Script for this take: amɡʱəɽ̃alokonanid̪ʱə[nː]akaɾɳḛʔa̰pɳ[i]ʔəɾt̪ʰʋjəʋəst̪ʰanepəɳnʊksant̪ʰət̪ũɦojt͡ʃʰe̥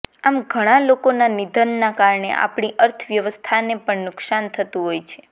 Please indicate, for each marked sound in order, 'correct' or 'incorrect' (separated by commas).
correct, correct